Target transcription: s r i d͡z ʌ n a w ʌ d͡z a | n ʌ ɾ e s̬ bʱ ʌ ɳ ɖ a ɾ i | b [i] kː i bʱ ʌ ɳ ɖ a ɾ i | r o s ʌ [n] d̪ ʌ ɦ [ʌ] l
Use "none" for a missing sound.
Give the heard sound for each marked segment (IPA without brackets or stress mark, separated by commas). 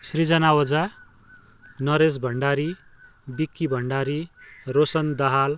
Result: i, n, a